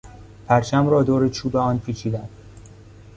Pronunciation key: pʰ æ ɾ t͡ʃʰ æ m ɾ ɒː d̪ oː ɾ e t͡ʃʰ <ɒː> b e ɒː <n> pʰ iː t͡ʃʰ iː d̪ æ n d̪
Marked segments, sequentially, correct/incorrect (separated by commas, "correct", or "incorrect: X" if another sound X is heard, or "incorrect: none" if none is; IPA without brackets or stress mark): incorrect: uː, correct